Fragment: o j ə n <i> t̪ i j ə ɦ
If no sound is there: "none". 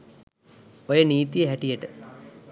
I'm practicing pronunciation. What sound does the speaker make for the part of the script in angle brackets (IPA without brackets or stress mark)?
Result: iː